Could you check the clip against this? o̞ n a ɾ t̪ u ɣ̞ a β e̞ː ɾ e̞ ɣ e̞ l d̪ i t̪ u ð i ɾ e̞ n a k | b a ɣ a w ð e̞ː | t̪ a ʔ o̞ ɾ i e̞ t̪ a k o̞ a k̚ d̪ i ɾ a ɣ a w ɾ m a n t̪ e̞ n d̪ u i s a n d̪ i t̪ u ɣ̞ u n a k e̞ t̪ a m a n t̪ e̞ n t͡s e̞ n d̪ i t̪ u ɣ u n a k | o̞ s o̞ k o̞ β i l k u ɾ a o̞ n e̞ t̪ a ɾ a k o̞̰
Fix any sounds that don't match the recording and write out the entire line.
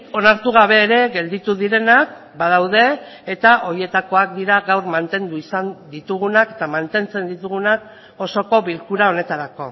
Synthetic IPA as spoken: o̞ n a ɾ t̪ u ɣ̞ a β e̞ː ɾ e̞ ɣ e̞ l d̪ i t̪ u ð i ɾ e̞ n a k | b a ð a w ð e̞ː | t̪ a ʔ o̞ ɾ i e̞ t̪ a k o̞ a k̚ d̪ i ɾ a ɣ a w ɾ m a n t̪ e̞ n d̪ u i s a n d̪ i t̪ u ɣ̞ u n a k e̞ t̪ a m a n t̪ e̞ n t͡s e̞ n d̪ i t̪ u ɣ u n a k | o̞ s o̞ k o̞ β i l k u ɾ a o̞ n e̞ t̪ a ɾ a k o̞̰